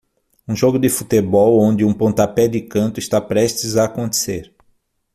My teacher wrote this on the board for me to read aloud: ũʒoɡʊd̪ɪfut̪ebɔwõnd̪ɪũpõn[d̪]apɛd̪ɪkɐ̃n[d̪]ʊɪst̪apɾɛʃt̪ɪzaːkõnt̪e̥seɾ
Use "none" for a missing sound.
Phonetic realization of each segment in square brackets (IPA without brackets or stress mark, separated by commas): t̪, t̪